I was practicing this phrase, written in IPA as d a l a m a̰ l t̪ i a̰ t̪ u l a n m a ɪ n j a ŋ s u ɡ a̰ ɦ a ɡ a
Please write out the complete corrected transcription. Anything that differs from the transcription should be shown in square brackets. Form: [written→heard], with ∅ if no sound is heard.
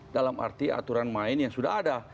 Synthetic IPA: d a l a m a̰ [l→r] t̪ i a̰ t̪ u [l→ɾ] a n m a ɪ n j a ŋ s u [ɡ→d] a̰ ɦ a [ɡ→d] a